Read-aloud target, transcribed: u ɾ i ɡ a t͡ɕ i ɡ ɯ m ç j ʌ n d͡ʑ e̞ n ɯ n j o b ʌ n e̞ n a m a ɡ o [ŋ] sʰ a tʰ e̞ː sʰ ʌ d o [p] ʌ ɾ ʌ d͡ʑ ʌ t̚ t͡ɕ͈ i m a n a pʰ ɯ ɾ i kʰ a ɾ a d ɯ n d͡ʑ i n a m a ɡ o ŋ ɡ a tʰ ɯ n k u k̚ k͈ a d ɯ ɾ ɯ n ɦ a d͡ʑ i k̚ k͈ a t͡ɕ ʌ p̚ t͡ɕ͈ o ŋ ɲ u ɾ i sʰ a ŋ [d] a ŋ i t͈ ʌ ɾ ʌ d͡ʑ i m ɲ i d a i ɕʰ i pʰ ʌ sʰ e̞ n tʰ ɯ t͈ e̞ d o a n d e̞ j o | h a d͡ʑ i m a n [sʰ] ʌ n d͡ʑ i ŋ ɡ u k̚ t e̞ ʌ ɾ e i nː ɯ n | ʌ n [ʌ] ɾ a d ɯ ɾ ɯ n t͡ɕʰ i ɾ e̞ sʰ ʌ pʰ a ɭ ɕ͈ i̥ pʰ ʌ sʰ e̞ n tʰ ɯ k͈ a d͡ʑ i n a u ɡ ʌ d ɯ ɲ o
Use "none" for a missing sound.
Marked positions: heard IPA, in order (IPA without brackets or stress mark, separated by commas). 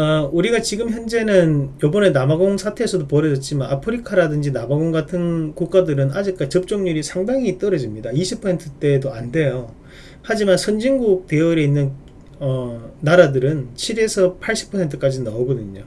ŋ, p, d, sʰ, a